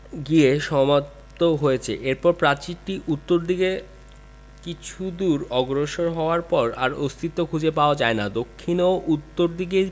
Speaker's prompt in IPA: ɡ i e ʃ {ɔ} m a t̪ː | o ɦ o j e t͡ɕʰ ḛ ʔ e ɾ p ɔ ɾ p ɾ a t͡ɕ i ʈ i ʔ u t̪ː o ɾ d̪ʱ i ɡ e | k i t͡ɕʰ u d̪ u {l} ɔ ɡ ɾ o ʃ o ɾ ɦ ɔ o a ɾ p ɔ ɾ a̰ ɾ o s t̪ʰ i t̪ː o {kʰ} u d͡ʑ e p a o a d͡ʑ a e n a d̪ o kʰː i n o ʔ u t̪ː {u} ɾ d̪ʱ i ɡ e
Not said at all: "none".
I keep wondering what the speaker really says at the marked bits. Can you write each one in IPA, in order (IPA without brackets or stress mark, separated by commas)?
ɔ, ɾ, kʰ, o